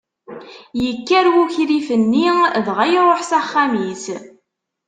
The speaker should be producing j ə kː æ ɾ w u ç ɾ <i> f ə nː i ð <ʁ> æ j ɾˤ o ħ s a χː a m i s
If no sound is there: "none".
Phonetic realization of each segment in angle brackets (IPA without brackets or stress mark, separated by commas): i, ʁ